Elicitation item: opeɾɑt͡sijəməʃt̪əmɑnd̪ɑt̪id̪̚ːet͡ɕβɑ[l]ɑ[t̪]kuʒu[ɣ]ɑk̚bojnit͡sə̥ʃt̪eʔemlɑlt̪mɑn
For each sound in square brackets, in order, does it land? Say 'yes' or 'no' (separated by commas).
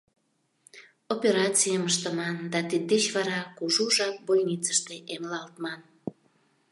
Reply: no, no, no